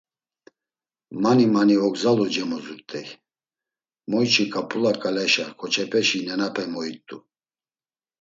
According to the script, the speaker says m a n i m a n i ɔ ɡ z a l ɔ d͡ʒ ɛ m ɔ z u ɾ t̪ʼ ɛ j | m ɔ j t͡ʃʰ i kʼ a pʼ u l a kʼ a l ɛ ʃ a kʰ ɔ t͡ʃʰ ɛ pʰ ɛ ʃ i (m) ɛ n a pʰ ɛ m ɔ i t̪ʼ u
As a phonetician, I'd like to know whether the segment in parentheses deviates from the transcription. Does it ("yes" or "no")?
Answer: yes